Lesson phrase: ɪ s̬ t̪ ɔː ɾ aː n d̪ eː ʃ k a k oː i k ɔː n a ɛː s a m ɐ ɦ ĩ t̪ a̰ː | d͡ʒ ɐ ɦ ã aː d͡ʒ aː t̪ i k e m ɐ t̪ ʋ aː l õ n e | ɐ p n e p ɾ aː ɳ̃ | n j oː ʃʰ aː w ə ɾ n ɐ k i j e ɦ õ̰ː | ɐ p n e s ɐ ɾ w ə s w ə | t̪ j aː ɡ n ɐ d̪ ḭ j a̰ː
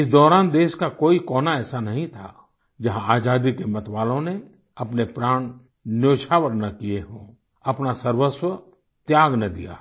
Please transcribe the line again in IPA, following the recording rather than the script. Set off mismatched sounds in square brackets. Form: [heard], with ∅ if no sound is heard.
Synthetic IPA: ɪ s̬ [d̪] ɔː ɾ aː n d̪ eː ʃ k a k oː i k ɔː n a ɛː s a [n] ɐ ɦ ĩ [t̪ʰ] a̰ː | d͡ʒ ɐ ɦ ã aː d͡ʒ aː [d̪] i k e m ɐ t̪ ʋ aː l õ n e | ɐ p n e p ɾ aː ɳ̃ | n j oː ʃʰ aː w ə ɾ n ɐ k i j e ɦ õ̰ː | ɐ p n [a] s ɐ ɾ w ə s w ə | t̪ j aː ɡ n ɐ d̪ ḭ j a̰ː

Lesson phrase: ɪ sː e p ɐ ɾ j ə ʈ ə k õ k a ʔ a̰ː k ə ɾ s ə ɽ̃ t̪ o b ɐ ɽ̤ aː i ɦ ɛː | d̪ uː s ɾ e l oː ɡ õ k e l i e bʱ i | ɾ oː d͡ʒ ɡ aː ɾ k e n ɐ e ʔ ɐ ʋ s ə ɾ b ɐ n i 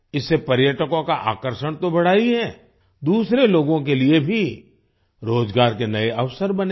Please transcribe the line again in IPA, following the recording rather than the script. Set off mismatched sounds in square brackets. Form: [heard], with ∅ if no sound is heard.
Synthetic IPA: ɪ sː e p ɐ ɾ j ə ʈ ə k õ k a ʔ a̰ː k ə ɾ [ʃ] ə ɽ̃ t̪ o b ɐ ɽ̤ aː i ɦ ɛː | d̪ uː s ɾ e l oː ɡ õ k e l i e bʱ i | ɾ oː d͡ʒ ɡ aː ɾ k e n ɐ e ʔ ɐ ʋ s ə ɾ b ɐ n [e]

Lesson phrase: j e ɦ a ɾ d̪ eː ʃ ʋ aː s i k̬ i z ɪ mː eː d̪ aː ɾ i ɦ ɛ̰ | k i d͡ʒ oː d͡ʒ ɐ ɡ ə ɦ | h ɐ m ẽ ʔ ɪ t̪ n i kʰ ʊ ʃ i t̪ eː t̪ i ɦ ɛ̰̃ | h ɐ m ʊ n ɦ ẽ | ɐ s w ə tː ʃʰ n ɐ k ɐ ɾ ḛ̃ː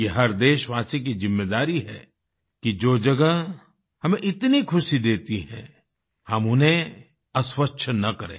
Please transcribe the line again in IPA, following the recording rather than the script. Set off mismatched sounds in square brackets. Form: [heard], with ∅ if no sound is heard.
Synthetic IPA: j e ɦ [ɐ] ɾ d̪ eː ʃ ʋ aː s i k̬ i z ɪ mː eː d̪ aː ɾ i ɦ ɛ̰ | k i d͡ʒ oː d͡ʒ ɐ ɡ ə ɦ | h ɐ m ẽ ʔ ɪ t̪ n i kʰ ʊ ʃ i [d̪] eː t̪ i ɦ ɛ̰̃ | h ɐ m ʊ n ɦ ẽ | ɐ s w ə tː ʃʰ n ɐ k ɐ ɾ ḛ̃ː

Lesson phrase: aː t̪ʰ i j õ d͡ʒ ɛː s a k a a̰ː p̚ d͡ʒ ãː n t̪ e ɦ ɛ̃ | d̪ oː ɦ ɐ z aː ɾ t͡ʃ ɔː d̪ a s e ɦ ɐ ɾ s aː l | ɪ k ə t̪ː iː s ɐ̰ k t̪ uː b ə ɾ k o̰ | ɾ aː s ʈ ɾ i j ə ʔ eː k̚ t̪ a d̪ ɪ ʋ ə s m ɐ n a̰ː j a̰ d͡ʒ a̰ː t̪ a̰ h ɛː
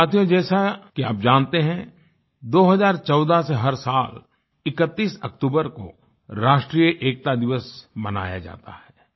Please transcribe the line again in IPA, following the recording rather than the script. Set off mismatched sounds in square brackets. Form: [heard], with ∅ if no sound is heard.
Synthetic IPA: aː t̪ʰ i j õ d͡ʒ ɛː s a k [i] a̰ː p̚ d͡ʒ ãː n t̪ e ɦ ɛ̃ | d̪ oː ɦ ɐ z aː ɾ t͡ʃ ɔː d̪ a s e ɦ ɐ ɾ s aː l | ɪ k ə t̪ː iː s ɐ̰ k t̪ uː b ə ɾ k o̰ | ɾ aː [ʃ] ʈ ɾ i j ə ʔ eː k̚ t̪ a d̪ ɪ ʋ ə s m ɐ n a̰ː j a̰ d͡ʒ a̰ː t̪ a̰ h ɛː

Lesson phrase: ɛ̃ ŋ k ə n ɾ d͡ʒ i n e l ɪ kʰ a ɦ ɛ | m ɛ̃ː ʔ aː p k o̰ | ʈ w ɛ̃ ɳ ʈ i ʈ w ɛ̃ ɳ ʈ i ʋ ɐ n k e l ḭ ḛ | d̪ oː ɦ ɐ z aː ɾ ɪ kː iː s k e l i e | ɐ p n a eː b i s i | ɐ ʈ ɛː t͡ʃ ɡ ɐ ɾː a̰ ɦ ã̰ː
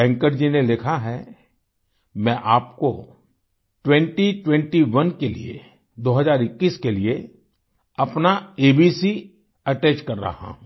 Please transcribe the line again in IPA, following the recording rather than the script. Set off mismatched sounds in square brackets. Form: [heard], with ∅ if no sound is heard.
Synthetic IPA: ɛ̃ ŋ k ə [∅] ɾ d͡ʒ i n e l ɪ kʰ a ɦ ɛ | m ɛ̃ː ʔ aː p k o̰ | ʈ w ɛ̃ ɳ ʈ i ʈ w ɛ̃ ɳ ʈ i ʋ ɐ n k e l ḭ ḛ | d̪ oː ɦ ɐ z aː ɾ ɪ kː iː s k e l i e | ɐ p n a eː b i s i | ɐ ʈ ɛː t͡ʃ [k] ɐ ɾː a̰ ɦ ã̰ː

